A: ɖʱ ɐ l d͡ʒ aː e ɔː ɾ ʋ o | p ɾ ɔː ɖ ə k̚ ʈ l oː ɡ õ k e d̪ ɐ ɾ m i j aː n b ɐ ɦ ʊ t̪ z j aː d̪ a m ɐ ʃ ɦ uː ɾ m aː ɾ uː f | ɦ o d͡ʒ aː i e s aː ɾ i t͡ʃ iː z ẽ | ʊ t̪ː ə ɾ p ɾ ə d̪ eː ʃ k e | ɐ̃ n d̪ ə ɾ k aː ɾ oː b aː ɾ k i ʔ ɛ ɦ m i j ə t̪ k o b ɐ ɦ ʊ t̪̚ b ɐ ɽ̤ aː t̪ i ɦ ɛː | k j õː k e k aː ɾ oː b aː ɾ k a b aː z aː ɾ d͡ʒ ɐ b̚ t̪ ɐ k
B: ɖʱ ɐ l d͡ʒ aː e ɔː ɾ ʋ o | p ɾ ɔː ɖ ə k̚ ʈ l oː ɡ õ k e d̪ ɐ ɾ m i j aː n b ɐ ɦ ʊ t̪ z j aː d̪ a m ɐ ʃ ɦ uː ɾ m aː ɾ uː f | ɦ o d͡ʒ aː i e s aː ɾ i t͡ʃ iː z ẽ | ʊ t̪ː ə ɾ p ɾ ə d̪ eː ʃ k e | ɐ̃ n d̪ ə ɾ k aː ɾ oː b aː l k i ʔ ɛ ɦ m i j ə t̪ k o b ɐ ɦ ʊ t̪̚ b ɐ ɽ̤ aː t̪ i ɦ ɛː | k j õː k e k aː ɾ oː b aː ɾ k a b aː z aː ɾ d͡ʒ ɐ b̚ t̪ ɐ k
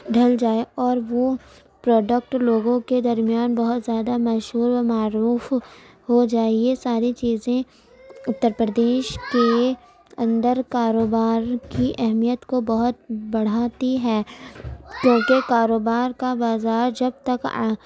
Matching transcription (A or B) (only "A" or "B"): A